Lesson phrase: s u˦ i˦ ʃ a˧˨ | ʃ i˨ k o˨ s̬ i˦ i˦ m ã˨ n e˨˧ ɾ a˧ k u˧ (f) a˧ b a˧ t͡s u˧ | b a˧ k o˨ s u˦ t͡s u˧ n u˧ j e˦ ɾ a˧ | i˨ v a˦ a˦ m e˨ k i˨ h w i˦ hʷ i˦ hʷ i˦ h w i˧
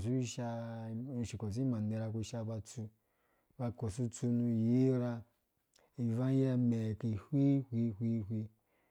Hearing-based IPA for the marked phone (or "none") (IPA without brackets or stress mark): ʃ